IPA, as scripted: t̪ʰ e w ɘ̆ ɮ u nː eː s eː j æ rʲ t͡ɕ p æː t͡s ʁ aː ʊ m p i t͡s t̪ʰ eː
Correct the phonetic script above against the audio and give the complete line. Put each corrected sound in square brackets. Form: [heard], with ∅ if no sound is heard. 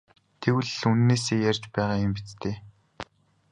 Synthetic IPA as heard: t̪ʰ e w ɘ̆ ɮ u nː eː s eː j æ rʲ t͡ɕ p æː [∅] ʁ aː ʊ m p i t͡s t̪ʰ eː